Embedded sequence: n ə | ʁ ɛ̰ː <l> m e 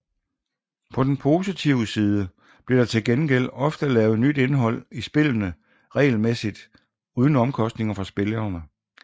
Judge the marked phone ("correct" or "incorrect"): correct